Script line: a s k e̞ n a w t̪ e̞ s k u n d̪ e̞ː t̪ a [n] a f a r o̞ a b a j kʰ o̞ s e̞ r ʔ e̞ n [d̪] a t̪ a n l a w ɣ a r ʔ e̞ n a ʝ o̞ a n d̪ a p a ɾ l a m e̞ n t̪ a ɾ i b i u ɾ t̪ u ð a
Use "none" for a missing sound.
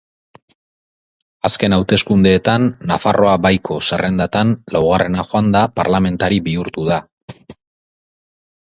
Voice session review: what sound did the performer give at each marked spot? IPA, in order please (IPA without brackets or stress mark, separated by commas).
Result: nː, d̪